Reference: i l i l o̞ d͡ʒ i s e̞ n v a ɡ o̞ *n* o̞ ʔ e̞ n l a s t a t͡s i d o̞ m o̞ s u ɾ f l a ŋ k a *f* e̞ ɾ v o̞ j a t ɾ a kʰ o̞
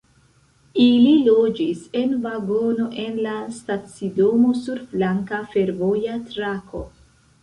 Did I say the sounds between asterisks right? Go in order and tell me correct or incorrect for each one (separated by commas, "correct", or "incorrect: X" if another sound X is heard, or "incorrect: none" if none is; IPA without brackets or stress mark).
correct, correct